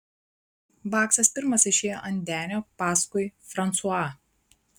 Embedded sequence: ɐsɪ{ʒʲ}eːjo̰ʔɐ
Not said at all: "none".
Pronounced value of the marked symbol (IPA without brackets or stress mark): ʃʲ